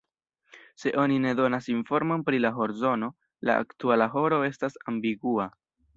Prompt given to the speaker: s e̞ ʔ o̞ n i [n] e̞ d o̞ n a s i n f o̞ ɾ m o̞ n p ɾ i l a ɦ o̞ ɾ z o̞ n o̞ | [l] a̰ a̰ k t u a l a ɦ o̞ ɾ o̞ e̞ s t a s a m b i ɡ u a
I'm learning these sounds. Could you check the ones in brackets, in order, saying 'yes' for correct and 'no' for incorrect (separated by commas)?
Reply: yes, yes